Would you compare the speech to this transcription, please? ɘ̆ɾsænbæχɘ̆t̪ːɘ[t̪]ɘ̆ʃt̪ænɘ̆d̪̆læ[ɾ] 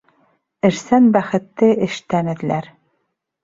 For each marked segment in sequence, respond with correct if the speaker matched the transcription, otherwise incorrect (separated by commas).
incorrect, correct